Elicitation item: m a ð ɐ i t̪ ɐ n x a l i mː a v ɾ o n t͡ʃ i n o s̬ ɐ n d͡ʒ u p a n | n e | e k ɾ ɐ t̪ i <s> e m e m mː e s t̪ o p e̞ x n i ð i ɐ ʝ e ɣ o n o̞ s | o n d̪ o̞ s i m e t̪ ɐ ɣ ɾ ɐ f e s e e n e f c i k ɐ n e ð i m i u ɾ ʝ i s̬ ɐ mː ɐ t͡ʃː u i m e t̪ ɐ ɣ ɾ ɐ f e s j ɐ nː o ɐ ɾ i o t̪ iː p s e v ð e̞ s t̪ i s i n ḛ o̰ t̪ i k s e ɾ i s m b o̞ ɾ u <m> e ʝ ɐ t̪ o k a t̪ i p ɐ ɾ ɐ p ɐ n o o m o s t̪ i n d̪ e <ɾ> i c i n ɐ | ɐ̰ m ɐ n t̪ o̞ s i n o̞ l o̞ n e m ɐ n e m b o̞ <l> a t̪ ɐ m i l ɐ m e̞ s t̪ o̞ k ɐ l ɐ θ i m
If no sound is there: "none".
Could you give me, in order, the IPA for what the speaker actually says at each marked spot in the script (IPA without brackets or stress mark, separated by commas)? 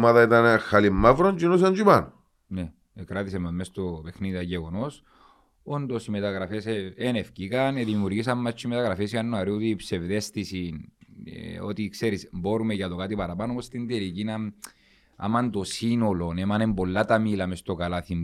s, m, l, lː